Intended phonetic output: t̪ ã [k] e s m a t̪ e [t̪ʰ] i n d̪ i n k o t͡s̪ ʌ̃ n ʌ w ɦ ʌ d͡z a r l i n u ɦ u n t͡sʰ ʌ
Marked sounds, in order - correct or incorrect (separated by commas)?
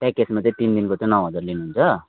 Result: correct, incorrect